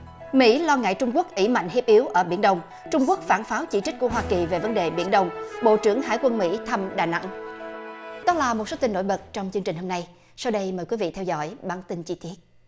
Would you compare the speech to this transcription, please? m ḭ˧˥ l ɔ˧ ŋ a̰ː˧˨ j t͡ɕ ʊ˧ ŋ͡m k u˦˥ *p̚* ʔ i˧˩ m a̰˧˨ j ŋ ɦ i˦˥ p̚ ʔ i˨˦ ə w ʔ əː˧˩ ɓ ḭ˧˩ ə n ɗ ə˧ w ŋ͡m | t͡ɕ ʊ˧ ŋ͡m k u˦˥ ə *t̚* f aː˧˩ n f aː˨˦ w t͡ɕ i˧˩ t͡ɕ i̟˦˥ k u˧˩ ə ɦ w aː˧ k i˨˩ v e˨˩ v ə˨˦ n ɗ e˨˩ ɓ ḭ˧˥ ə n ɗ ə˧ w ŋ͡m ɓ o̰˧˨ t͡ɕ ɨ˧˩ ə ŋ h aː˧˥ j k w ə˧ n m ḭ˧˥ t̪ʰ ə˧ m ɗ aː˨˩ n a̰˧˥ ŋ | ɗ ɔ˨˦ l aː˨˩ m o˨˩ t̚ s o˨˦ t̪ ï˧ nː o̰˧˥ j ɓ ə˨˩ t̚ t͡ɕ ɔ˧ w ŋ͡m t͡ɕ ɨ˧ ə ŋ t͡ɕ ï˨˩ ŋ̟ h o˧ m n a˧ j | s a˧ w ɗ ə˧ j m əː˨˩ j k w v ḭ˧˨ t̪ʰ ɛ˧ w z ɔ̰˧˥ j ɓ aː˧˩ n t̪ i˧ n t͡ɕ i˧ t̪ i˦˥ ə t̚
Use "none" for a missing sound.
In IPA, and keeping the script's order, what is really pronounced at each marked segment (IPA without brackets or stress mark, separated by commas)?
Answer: k̚, k̚